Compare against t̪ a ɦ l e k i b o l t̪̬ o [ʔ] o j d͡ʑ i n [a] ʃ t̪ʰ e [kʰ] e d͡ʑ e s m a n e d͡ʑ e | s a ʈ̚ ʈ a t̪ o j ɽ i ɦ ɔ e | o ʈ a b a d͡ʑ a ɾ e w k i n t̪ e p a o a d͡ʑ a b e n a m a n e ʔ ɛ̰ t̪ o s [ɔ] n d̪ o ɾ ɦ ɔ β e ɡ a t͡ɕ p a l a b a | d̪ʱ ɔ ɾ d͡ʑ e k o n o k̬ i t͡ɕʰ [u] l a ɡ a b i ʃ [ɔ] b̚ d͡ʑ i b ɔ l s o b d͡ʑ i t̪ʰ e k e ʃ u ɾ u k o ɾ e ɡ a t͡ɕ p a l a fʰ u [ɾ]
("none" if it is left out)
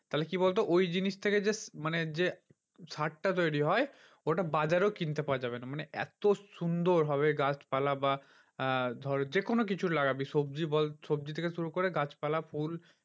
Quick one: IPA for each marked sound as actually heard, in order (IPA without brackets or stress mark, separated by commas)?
ʔ, i, k, u, u, o, l